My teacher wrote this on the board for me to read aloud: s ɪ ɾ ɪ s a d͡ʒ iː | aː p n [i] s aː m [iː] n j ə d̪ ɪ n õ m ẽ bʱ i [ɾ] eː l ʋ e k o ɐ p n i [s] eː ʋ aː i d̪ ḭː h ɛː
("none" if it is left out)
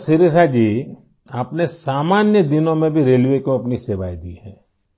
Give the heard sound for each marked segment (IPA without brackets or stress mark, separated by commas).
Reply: e, aː, ɾ, s